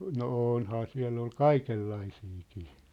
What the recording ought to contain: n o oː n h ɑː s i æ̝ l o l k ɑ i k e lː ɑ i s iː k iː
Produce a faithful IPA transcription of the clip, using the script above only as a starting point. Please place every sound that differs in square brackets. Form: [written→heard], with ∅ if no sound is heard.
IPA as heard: n o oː n h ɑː s i æ̝ [l→lː] o l k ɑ i k e lː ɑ i s iː k iː

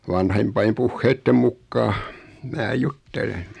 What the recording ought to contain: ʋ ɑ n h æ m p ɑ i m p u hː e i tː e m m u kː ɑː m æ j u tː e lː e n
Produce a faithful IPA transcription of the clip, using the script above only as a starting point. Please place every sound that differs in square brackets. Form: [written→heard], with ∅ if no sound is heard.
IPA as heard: ʋ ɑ n h [æ→e] m p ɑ i m p u hː e i tː e m m u kː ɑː m [æ→æː] j u tː e [lː→l] e n

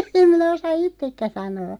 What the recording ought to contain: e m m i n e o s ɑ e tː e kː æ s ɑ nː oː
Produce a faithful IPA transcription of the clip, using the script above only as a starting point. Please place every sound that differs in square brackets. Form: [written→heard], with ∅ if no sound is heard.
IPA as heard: e m m i n [e→æ] o s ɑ [e→i] tː e kː æ s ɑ [nː→n] oː

